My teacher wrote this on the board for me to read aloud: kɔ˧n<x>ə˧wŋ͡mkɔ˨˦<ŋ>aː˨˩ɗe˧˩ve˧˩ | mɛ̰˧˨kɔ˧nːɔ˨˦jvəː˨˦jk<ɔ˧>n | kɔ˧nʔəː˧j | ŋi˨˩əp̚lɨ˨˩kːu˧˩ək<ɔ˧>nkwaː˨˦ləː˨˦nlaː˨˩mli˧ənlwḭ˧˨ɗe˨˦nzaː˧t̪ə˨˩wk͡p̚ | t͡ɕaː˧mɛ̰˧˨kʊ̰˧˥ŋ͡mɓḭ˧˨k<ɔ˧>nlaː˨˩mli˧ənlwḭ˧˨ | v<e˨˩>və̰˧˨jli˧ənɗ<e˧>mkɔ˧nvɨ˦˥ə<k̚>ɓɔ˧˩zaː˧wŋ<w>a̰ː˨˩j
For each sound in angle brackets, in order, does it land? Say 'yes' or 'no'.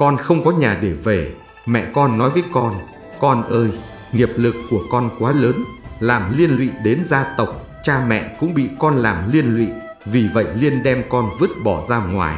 yes, no, yes, yes, yes, no, no, no, yes

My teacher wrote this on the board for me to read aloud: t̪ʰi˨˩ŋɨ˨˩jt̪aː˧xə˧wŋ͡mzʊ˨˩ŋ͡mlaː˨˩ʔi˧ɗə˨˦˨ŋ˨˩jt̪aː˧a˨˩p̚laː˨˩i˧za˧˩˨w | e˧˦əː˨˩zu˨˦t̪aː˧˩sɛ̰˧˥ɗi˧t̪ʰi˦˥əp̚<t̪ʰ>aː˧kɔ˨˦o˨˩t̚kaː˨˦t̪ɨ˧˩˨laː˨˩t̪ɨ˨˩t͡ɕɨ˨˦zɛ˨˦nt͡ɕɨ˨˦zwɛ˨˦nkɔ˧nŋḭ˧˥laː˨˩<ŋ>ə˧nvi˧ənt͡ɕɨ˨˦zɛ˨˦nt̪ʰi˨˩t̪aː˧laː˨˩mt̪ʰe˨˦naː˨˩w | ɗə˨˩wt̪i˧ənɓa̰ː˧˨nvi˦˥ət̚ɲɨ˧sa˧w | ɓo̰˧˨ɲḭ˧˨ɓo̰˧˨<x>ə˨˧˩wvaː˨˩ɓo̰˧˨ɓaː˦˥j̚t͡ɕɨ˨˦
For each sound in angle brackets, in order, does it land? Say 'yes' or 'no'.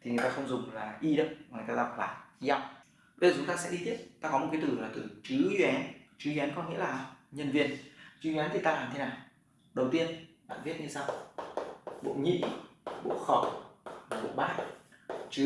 no, no, yes

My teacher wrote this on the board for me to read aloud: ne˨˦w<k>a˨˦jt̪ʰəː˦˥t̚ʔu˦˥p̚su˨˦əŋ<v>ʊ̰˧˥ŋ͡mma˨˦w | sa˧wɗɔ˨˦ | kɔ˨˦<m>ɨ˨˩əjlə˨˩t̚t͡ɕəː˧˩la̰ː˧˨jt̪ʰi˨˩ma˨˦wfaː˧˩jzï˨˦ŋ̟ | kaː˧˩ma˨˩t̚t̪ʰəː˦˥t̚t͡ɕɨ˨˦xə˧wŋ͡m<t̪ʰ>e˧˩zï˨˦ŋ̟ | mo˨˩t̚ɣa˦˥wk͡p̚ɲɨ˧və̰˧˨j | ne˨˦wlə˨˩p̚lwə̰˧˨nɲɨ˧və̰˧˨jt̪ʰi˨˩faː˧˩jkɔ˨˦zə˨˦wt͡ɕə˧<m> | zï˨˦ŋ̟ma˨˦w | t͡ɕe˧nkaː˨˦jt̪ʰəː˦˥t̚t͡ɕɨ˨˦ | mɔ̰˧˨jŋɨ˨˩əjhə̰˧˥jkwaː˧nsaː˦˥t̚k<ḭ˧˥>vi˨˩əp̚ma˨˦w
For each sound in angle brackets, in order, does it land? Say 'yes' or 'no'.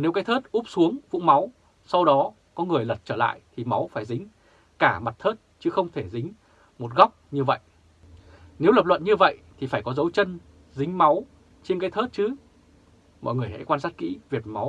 yes, yes, no, yes, no, yes

